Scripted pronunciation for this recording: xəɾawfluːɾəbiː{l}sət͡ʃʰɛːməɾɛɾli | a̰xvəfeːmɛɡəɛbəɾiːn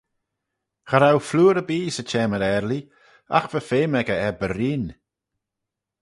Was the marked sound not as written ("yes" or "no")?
yes